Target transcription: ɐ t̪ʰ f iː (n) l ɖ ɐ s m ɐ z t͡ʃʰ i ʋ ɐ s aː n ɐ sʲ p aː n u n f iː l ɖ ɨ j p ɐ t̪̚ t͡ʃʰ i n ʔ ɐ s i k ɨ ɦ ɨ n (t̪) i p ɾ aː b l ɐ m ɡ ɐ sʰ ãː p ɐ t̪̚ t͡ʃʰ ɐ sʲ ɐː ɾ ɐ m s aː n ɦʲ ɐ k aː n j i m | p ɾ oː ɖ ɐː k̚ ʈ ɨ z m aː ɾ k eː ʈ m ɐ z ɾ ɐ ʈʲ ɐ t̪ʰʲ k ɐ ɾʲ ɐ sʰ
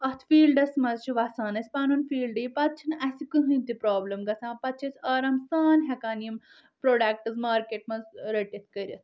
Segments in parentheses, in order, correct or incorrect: incorrect, correct

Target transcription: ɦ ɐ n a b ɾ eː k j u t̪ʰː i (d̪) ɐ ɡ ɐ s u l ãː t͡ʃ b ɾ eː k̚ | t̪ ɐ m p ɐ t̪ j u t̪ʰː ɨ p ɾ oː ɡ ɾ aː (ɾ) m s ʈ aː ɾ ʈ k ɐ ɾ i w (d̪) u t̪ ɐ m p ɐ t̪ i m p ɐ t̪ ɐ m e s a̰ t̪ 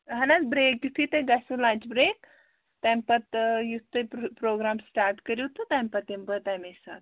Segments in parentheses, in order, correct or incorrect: incorrect, incorrect, incorrect

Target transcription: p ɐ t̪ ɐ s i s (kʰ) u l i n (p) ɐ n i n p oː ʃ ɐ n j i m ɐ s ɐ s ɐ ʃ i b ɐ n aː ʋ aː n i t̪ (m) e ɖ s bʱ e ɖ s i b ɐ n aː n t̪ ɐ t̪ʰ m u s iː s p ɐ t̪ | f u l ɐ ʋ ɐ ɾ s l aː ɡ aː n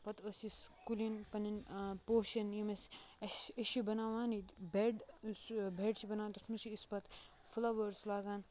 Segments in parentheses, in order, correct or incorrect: incorrect, correct, incorrect

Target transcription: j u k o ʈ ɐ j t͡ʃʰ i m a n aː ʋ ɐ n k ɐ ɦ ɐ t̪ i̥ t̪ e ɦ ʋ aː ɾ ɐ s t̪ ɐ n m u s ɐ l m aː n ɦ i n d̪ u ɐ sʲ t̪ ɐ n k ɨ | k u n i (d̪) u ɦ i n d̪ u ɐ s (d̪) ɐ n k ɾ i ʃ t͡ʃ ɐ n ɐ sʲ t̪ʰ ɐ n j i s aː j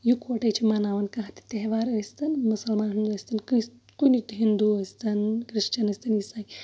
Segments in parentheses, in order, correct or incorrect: incorrect, incorrect

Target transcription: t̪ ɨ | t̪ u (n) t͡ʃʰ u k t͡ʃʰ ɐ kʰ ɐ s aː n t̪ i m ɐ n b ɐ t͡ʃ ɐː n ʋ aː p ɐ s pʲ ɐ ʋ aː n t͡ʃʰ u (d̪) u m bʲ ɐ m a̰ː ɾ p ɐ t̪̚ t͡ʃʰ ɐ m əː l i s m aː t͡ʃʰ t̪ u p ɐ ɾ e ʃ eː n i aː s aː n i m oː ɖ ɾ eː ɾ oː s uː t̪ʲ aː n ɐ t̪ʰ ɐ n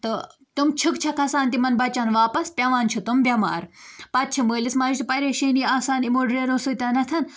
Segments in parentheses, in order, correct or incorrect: incorrect, incorrect

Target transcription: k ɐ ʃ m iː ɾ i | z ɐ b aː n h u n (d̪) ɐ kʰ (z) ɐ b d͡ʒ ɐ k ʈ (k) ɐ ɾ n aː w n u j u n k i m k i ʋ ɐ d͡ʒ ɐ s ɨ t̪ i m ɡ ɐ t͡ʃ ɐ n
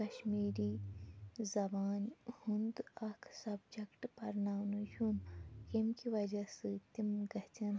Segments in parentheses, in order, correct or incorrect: correct, incorrect, incorrect

